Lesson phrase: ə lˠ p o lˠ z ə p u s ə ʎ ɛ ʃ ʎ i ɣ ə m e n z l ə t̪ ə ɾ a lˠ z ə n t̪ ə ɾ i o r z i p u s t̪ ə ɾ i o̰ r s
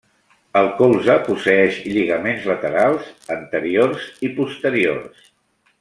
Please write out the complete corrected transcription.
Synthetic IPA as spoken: ə lˠ k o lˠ z ə p u s ə ɛ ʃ ʎ i ɣ ə m e n z l ə t̪ ə ɾ a lˠ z ə n t̪ ə ɾ i o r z i p u s t̪ ə ɾ i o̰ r s